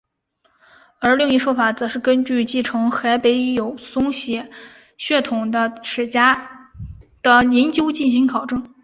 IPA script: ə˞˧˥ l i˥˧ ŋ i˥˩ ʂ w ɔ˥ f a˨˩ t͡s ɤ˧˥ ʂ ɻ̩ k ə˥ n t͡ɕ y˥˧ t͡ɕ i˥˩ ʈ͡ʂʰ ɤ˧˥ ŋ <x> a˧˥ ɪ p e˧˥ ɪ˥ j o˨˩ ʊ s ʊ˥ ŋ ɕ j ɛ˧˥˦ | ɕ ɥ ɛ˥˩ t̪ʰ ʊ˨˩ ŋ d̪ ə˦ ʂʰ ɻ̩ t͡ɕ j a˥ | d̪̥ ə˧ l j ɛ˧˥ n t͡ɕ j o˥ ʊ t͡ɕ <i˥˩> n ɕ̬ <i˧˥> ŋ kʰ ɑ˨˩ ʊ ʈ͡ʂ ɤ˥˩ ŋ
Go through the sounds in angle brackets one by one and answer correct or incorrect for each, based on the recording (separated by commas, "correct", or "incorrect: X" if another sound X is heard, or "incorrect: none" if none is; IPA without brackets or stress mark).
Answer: correct, correct, correct